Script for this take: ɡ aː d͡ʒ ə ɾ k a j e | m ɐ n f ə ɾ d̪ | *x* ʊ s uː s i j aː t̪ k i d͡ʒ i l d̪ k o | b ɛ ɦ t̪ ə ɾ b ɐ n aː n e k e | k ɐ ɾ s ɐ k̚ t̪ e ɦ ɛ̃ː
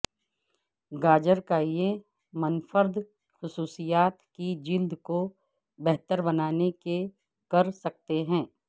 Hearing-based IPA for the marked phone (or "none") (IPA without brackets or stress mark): x